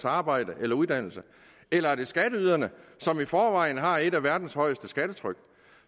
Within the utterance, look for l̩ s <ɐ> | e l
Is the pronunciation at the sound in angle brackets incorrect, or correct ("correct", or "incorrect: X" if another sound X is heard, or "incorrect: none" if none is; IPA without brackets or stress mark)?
incorrect: ə